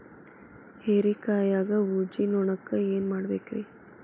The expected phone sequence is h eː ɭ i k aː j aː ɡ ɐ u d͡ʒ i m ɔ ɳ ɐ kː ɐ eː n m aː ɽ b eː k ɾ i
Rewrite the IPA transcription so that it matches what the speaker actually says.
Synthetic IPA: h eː ɾ i k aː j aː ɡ ɐ u d͡ʒ i n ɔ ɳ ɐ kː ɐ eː n m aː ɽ b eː k ɾ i